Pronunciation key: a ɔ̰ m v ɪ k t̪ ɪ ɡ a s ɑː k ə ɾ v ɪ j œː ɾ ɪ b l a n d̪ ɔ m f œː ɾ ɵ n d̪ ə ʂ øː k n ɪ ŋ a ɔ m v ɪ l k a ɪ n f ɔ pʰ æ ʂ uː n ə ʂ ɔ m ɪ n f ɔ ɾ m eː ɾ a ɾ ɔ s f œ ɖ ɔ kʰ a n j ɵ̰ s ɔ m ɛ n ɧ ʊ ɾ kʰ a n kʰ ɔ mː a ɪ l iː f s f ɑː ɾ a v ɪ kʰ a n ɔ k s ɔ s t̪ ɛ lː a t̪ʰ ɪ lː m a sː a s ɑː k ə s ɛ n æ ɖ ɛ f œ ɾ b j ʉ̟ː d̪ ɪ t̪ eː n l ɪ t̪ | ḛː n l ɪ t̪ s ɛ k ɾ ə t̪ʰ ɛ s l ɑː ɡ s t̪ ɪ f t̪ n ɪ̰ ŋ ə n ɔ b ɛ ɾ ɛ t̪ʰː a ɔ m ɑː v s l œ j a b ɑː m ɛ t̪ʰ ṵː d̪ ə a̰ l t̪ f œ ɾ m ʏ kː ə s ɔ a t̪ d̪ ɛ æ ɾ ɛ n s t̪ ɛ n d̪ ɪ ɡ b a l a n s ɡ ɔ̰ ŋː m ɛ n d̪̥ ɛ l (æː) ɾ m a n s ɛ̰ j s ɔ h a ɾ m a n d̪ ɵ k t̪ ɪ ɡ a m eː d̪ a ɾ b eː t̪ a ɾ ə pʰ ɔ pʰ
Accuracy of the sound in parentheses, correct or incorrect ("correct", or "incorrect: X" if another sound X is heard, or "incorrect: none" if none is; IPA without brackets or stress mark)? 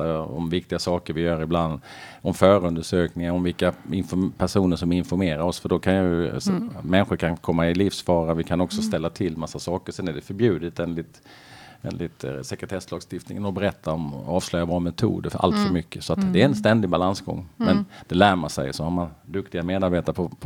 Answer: correct